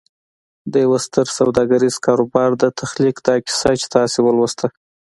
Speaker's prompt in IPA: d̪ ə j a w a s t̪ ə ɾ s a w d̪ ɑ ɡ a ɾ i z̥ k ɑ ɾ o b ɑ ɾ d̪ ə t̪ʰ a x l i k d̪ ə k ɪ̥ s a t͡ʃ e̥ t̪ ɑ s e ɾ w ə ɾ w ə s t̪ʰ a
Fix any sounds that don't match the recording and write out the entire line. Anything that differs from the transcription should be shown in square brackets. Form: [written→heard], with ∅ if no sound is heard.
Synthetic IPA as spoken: d̪ ə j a w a s t̪ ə ɾ s a w d̪ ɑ ɡ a ɾ i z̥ k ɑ ɾ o b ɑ ɾ d̪ ə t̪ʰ a x l i k d̪ [ə→ɑ] k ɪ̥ s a t͡ʃ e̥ t̪ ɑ s e [ɾ→∅] w ə [ɾ→l] w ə s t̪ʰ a